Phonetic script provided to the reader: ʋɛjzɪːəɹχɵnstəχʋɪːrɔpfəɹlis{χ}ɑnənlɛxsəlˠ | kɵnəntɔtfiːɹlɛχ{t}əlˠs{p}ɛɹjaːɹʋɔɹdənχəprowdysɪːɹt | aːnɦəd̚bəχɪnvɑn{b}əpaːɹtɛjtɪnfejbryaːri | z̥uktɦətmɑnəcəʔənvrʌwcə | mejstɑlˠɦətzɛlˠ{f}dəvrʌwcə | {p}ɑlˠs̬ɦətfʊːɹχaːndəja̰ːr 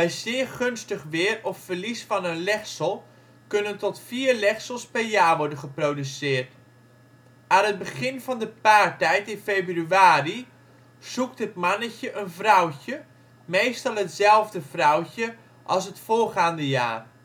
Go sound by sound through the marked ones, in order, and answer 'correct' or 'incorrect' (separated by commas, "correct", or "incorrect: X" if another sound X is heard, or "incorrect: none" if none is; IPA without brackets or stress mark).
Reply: incorrect: f, incorrect: s, correct, incorrect: d, incorrect: v, incorrect: ʔ